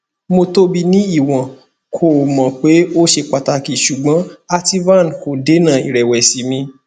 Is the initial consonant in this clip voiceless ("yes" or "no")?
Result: no